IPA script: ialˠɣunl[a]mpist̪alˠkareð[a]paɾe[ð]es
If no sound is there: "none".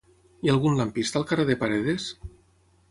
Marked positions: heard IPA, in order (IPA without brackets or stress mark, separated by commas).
a, e, ð